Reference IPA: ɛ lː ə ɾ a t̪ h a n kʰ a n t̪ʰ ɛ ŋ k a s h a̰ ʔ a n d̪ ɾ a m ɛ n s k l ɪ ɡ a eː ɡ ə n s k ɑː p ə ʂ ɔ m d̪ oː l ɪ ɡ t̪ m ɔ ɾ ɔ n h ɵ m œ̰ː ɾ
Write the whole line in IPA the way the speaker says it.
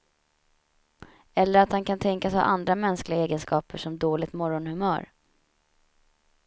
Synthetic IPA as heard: ɛ lː ə ɾ a t̪ h a n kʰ a n t̪ʰ ɛ ŋ k a s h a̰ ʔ a n d̪ ɾ a m ɛ n s k l ɪ ɡ a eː ɡ ə n s k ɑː p ə ʂ ɔ m d̪ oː l ɪ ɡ t̪ m ɔ ɾ ɔ n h ɵ m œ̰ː ɾ